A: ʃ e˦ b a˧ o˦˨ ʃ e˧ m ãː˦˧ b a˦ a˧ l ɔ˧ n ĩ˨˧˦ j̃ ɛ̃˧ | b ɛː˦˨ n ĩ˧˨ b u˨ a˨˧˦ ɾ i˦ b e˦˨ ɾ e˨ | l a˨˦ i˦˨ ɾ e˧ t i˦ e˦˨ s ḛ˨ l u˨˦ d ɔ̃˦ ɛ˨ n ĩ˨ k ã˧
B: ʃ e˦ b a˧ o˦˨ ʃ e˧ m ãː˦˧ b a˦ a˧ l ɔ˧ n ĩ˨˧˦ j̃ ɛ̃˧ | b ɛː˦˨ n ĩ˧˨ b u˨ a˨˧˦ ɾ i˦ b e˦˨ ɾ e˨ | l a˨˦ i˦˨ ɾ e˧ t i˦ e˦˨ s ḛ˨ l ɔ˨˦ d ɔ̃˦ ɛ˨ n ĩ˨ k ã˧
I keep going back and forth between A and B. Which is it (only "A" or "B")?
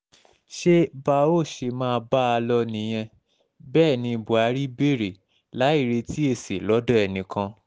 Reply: B